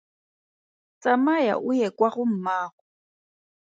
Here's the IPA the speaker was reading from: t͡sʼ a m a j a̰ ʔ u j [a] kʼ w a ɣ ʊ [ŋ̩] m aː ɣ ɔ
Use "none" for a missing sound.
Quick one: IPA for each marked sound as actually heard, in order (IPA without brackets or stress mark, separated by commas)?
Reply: ɛ, m̩